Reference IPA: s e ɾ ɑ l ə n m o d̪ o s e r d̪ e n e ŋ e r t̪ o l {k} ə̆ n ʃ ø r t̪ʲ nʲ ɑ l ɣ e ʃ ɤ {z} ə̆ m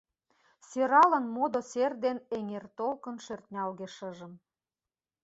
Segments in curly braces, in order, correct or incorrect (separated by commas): correct, incorrect